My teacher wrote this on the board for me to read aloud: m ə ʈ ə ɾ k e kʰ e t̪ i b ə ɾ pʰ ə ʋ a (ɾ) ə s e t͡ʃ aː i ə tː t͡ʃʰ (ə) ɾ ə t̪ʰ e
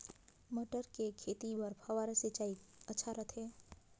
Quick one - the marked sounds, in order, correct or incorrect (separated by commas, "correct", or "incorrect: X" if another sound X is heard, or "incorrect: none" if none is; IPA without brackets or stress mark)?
correct, incorrect: a